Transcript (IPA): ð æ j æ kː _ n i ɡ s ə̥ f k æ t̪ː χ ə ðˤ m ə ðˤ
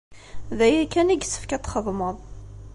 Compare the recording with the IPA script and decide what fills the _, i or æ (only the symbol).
æ